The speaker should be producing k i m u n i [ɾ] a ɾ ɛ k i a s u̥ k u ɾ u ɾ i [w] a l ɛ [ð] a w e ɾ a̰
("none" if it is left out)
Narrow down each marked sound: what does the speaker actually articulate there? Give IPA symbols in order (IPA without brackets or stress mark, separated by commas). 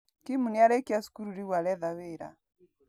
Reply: none, w, ð